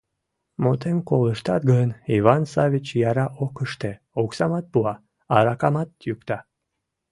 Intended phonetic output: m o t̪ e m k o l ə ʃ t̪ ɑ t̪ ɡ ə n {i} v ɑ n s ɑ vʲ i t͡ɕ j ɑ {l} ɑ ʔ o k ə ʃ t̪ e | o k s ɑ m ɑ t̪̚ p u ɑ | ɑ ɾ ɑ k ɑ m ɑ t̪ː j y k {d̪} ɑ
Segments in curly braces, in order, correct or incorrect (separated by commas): correct, incorrect, incorrect